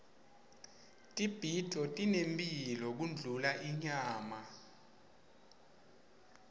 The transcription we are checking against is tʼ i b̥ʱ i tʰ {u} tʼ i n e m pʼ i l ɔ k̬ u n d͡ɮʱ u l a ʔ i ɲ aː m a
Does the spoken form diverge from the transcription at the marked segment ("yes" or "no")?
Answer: yes